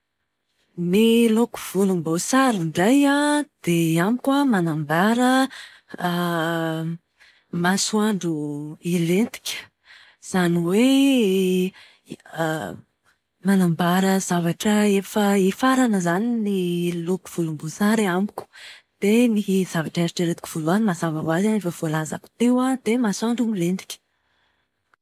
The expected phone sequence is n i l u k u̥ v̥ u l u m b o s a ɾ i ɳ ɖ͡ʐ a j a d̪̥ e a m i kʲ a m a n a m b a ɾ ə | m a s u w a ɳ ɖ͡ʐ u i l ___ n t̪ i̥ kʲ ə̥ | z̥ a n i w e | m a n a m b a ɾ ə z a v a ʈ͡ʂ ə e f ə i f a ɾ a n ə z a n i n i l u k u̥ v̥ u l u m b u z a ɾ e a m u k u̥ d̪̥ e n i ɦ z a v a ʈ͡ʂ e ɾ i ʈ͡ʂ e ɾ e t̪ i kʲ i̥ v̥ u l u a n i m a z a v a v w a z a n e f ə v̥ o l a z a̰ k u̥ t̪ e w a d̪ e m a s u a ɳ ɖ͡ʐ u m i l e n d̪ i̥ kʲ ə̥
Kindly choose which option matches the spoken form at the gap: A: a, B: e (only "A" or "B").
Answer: B